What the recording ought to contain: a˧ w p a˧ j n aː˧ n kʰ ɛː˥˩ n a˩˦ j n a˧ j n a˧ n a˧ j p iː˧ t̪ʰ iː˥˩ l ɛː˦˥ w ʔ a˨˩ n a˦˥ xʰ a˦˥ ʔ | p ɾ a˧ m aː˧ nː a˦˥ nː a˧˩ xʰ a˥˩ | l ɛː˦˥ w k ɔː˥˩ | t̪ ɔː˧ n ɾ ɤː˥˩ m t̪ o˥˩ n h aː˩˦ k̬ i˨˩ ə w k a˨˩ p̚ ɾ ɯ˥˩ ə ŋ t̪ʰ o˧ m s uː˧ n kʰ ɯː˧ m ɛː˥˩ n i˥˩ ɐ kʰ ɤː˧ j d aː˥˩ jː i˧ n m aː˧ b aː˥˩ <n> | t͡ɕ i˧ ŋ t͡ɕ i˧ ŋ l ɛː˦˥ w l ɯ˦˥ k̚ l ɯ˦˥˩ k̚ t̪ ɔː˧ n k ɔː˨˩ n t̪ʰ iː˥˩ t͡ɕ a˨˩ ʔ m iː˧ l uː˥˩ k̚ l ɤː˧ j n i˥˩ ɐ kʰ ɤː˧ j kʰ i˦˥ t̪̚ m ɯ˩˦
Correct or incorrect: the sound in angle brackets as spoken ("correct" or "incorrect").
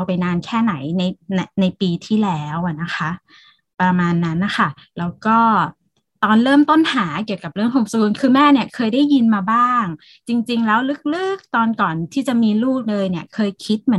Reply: incorrect